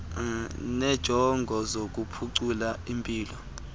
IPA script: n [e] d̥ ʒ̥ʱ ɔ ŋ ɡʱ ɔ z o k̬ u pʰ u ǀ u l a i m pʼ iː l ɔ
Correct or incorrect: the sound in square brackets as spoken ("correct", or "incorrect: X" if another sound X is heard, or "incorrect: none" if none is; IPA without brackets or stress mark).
incorrect: ɛ